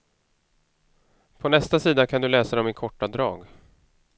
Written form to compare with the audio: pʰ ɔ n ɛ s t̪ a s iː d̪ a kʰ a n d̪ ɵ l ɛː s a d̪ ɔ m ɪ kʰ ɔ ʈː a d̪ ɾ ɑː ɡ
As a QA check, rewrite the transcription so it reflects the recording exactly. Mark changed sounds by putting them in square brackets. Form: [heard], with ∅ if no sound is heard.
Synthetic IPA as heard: pʰ ɔ n ɛ s t̪ a s iː d̪ a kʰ a n d̪ ɵ l ɛː s a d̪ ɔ m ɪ kʰ ɔ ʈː a d̪ ɾ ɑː ɡ